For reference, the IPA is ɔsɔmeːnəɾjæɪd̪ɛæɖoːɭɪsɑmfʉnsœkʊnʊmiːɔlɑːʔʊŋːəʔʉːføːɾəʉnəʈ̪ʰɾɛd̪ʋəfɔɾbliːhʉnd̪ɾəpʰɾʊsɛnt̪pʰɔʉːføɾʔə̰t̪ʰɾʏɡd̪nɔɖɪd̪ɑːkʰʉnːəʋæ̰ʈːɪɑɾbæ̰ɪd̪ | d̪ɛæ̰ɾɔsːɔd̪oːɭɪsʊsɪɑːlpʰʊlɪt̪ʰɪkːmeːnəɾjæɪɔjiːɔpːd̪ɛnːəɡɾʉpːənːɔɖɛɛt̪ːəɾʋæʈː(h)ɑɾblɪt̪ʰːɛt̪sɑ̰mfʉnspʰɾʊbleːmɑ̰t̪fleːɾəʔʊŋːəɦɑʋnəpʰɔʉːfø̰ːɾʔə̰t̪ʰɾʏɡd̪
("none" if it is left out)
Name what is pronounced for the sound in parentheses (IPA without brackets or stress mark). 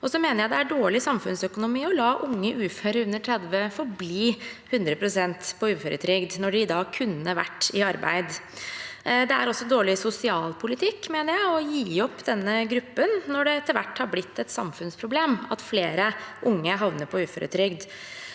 h